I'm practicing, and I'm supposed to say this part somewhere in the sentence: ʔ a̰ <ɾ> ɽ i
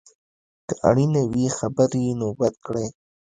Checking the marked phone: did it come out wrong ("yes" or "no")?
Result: yes